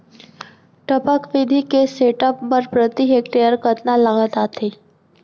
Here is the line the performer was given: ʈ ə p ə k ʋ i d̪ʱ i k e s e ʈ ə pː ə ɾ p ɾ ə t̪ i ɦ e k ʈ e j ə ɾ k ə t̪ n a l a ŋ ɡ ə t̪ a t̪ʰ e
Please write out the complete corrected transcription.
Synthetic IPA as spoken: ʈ ə p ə k ʋ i d̪ʱ i k e s e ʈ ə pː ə ɾ p ɾ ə t̪ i ɦ e k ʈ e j ə ɾ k ə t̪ n a l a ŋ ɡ ə t̪ a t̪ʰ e